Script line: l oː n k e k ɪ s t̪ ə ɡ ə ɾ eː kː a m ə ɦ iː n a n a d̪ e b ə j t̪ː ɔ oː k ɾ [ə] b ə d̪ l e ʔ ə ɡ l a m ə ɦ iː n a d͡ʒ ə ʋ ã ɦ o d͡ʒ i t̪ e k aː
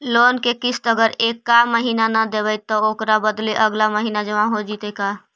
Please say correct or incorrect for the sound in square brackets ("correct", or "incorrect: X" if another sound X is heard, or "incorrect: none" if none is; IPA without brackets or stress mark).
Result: incorrect: a